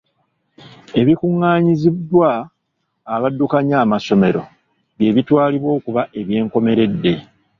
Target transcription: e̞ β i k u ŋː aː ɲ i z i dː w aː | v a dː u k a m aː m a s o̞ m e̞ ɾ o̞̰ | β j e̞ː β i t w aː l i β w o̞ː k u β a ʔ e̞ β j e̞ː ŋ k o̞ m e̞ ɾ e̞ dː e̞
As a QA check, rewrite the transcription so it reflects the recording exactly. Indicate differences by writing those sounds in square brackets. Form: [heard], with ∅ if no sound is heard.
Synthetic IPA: e̞ β i k u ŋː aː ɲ i z i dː w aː | [β] a dː u k a [ɲ] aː m a s o̞ m e̞ ɾ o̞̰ | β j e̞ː β i t w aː l i β w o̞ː k u β a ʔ e̞ β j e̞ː ŋ k o̞ m e̞ ɾ e̞ dː e̞